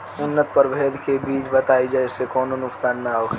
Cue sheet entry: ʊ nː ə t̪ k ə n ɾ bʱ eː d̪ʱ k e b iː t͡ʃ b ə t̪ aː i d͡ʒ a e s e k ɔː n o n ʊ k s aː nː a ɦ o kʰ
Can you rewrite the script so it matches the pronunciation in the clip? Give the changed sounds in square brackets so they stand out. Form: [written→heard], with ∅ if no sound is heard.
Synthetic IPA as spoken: ʊ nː ə t̪ [k→p] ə [n→∅] ɾ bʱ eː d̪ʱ k e b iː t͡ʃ b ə t̪ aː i d͡ʒ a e s e k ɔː n o n ʊ k s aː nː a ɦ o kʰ